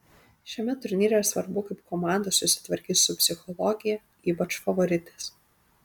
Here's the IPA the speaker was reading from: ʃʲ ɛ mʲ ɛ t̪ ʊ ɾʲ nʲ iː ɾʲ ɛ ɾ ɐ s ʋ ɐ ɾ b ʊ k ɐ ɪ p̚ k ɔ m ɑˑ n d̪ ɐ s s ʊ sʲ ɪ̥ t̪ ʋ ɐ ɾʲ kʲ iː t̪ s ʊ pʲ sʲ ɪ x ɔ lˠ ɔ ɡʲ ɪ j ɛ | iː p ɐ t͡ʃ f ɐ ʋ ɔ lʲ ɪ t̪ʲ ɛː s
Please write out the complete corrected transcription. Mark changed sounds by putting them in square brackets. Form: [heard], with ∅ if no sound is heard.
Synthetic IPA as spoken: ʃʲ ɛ mʲ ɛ t̪ ʊ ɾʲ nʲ iː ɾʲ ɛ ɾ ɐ s ʋ ɐ ɾ b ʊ k ɐ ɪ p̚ k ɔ m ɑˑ n d̪ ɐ s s ʊ sʲ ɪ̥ t̪ ʋ ɐ ɾʲ kʲ iː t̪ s ʊ pʲ sʲ ɪ x ɔ lˠ ɔ ɡʲ ɪ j ɛ | iː p ɐ t͡ʃ f ɐ ʋ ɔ [ɾʲ] ɪ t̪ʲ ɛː s